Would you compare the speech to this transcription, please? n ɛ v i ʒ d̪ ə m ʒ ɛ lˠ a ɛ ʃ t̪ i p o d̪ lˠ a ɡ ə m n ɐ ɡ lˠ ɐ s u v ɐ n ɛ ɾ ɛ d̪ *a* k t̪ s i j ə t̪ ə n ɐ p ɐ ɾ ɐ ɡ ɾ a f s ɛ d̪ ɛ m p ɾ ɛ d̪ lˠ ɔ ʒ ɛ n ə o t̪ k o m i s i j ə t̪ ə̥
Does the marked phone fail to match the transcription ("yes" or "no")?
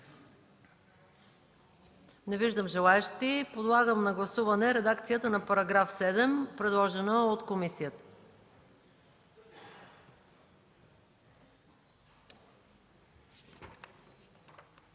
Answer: no